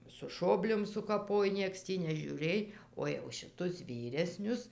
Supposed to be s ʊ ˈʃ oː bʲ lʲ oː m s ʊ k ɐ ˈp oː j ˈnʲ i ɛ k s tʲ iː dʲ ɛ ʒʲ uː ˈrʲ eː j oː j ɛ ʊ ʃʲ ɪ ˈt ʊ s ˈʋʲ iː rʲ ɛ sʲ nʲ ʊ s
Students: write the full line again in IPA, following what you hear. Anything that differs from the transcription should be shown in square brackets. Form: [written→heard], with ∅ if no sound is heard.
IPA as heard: s ʊ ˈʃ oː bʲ lʲ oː m s ʊ k ɐ ˈp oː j ˈnʲ i ɛ k s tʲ iː [dʲ→nʲ] ɛ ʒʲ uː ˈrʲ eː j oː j ɛ ʊ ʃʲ ɪ ˈt ʊ s ˈʋʲ iː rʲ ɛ sʲ nʲ ʊ s